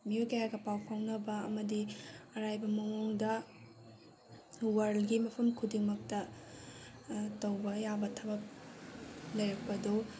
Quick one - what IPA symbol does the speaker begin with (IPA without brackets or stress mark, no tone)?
m